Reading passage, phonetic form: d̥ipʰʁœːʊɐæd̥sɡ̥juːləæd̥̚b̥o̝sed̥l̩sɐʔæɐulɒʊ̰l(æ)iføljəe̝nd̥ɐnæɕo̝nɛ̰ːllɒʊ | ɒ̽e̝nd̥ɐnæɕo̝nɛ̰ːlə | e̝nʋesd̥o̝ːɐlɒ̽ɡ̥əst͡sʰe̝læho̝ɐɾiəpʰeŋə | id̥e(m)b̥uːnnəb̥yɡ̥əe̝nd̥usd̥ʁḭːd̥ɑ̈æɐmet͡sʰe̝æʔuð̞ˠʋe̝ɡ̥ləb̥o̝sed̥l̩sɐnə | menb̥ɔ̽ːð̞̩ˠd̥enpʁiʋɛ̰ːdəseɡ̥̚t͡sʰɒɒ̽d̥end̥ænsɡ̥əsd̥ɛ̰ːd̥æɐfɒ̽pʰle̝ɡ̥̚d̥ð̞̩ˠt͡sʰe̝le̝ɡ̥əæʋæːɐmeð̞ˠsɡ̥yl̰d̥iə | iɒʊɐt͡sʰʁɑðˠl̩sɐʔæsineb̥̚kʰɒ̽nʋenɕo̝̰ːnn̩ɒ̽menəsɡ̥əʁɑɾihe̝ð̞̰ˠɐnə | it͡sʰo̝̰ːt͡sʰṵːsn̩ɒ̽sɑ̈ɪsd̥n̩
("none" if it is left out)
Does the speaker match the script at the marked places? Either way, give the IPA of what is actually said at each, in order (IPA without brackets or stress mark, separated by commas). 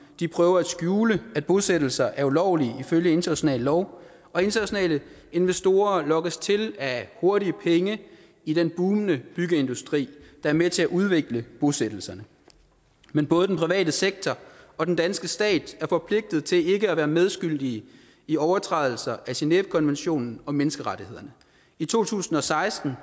i, n